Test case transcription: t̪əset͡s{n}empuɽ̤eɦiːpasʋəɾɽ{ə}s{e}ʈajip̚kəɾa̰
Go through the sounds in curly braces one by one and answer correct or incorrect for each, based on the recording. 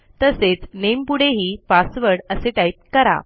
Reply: correct, correct, correct

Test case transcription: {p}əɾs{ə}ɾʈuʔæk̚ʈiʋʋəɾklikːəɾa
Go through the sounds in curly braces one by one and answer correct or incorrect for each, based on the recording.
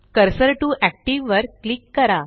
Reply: incorrect, correct

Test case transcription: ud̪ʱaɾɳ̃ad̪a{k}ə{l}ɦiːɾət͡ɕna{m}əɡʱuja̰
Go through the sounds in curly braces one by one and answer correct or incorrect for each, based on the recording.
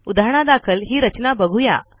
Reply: incorrect, correct, incorrect

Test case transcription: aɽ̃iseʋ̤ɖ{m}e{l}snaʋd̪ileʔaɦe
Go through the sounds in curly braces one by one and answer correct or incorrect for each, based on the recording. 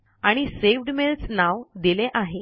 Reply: correct, correct

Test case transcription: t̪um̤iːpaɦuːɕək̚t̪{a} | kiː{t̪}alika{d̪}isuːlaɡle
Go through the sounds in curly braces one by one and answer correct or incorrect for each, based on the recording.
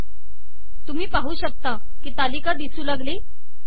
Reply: correct, correct, correct

